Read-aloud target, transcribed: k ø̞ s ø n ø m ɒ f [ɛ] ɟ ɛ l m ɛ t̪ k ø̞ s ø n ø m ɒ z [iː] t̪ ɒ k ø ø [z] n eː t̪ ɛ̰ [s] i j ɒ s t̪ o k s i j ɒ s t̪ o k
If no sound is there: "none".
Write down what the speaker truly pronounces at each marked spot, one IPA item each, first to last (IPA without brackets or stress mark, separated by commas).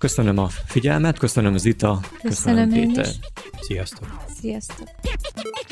i, i, s, s